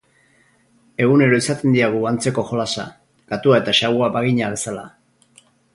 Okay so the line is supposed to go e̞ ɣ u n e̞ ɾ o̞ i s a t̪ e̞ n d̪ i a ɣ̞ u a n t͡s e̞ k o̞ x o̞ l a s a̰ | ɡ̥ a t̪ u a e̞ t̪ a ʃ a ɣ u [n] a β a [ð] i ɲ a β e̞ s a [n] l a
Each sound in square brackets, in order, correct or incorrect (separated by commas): incorrect, incorrect, incorrect